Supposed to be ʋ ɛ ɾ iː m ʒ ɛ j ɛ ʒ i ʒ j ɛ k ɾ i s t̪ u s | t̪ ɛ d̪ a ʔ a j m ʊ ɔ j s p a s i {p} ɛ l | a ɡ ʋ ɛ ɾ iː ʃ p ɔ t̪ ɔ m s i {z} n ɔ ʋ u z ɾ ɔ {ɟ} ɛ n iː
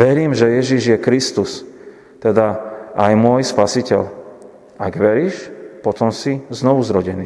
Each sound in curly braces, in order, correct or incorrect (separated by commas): incorrect, correct, correct